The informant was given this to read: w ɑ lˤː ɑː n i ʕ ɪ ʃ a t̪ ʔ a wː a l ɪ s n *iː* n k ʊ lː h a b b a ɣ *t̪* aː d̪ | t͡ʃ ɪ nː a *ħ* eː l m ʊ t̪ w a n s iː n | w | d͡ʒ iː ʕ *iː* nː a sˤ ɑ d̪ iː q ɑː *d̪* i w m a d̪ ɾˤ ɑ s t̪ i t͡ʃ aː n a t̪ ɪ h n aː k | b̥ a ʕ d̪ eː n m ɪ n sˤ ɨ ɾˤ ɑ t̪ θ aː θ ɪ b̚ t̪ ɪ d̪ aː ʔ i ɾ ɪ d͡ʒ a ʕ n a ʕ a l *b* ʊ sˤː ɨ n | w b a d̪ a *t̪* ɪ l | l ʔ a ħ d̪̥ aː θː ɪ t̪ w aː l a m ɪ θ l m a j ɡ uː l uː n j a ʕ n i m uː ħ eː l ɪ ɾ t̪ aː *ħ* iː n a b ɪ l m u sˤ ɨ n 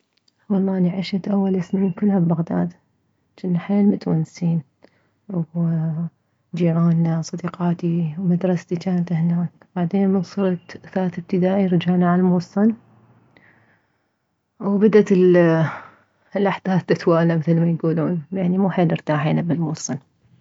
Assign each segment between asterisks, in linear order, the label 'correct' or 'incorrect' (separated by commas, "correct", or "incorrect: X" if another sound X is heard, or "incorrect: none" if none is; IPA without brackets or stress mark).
correct, incorrect: d̪, correct, incorrect: aː, incorrect: t̪, incorrect: m, correct, correct